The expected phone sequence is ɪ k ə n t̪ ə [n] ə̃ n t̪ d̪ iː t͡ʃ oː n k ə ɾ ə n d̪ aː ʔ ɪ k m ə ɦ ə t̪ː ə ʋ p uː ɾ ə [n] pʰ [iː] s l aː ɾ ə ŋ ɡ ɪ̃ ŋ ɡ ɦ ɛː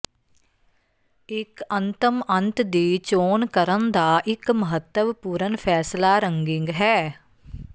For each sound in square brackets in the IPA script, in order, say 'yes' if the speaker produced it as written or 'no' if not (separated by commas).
no, yes, no